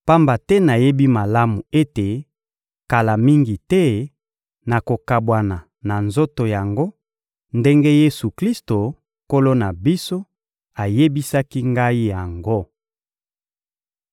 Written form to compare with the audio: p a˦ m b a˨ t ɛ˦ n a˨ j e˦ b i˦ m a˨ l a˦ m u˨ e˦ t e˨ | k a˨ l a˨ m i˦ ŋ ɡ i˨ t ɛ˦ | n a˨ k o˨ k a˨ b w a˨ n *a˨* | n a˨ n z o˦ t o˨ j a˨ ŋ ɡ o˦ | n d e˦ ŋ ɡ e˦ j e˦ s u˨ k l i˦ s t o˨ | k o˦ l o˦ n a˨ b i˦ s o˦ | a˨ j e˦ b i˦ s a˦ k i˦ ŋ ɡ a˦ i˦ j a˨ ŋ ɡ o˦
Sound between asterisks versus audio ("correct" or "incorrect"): correct